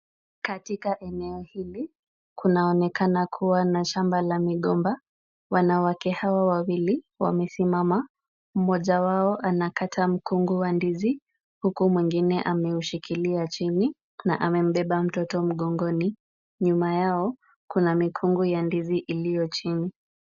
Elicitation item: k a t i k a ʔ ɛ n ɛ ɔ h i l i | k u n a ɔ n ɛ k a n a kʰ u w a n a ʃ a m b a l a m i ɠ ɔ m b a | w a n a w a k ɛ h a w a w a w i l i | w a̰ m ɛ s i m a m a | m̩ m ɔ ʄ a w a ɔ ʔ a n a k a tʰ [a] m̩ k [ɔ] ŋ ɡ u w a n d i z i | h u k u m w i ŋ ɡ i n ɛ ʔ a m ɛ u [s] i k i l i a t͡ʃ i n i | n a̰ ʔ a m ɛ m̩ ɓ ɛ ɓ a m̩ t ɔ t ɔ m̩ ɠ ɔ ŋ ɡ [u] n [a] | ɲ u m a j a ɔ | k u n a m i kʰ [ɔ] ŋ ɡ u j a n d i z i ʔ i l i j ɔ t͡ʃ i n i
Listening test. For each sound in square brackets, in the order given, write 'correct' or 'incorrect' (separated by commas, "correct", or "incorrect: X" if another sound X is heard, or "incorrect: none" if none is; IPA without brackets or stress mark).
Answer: correct, incorrect: u, incorrect: ʃ, incorrect: ɔ, incorrect: i, incorrect: u